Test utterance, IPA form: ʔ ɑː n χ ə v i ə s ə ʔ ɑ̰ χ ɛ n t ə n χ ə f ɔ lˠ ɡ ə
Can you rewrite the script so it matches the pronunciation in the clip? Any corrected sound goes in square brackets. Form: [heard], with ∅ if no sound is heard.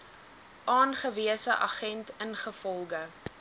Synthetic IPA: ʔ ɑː n χ ə v i ə s ə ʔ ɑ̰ χ ɛ n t ə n χ ə f ɔ lˠ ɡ ə

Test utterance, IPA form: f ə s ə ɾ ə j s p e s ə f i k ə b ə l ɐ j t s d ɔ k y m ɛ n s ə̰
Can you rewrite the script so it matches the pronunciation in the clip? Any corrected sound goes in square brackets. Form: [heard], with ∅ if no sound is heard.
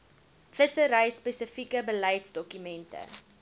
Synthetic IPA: f ə s ə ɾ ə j s p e s ə f i k ə b ə l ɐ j t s d ɔ k y m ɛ n [t] ə̰

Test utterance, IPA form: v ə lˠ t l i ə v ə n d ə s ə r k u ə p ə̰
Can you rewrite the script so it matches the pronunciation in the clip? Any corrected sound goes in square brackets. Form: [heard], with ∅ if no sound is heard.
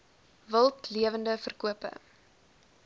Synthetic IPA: v ə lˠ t l i ə v ə n d ə [f] ə r k u ə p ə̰

